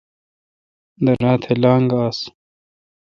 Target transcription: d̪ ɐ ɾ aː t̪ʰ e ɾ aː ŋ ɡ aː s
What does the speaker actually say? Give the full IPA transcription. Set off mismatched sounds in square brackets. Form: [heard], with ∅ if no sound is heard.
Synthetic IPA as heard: d̪ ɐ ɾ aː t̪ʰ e [l] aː ŋ ɡ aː s